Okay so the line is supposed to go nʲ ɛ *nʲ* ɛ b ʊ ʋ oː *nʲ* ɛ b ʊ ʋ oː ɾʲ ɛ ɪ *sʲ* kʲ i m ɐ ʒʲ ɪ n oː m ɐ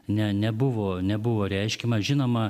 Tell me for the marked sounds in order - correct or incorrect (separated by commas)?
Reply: correct, correct, incorrect